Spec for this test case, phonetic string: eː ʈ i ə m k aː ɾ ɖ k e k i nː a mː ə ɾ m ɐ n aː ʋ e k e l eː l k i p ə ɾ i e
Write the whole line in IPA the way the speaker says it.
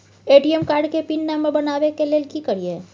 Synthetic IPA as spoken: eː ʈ i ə m k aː ɾ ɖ k e p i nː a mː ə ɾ b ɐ n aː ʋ e k e l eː l k i k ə ɾ i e